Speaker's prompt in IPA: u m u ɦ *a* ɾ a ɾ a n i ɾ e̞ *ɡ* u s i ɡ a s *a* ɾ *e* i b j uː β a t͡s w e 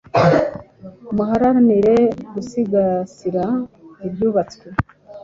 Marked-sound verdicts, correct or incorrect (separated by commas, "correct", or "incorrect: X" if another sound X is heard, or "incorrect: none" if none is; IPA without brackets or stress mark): correct, correct, incorrect: i, incorrect: a